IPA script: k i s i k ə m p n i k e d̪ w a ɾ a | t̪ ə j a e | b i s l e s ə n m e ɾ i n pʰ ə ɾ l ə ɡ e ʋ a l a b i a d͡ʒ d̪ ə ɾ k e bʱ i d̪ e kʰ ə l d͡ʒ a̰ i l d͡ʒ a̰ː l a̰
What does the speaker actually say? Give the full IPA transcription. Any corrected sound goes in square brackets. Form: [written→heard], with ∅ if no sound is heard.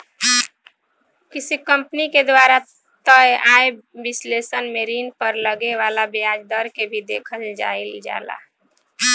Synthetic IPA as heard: k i s i k ə m p n i k e d̪ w a ɾ a | t̪ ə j a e | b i s l e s ə n m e ɾ i n [pʰ→p] ə ɾ l ə ɡ e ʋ a l a b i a d͡ʒ d̪ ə ɾ k e bʱ i d̪ e kʰ ə l d͡ʒ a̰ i l d͡ʒ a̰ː l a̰